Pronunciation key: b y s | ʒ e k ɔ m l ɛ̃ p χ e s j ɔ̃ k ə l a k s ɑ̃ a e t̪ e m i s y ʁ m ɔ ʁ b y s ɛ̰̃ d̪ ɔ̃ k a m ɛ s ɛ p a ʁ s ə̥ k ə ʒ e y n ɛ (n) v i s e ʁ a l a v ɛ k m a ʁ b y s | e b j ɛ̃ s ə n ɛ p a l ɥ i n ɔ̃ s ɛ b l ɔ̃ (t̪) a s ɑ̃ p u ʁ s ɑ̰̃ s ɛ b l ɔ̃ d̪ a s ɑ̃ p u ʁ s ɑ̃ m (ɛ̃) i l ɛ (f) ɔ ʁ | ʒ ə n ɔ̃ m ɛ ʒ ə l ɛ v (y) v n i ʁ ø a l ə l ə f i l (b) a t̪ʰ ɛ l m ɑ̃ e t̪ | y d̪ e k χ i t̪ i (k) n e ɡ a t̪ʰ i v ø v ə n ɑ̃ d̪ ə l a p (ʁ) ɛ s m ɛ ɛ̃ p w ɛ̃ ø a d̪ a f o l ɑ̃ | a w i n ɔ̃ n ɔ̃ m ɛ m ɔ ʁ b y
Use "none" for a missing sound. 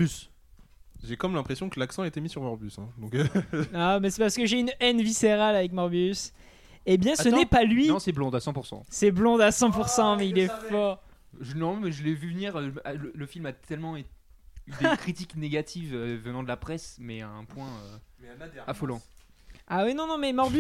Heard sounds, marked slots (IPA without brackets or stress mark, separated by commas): n, d̪, ɛ, f, y, m, k, χ